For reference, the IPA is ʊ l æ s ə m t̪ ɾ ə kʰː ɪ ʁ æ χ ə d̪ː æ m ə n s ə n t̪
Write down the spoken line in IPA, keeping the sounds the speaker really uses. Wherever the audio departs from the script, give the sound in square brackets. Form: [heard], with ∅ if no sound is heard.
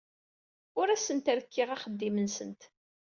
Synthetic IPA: ʊ [ɾ] æ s ə [n] t̪ ɾ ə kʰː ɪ ʁ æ χ ə d̪ː [i] m ə n s ə n t̪